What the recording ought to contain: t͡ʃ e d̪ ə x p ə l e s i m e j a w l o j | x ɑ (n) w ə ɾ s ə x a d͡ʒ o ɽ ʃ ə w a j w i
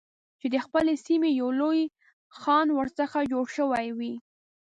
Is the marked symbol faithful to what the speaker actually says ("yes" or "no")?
yes